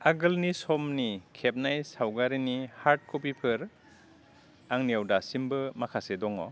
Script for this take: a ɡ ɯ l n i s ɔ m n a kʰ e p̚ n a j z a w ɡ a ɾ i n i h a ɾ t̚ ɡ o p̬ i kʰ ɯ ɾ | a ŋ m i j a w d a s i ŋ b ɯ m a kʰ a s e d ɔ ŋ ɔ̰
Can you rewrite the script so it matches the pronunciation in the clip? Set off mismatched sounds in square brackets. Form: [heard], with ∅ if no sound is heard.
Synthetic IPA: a ɡ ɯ l n i s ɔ m n [i] kʰ e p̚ n a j [s] a w ɡ a ɾ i n i h a ɾ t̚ [k] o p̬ i [pʰ] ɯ ɾ | a ŋ [n] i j a w d a s i [m] b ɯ m a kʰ a s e d ɔ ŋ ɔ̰